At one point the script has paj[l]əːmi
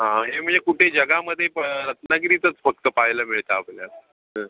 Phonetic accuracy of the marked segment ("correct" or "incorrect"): correct